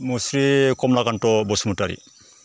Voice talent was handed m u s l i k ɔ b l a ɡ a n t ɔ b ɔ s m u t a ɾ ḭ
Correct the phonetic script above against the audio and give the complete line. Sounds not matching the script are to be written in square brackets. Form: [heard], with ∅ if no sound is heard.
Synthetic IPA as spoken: m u s [ɾ] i k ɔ [m] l a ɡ a n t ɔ b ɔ s m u t a ɾ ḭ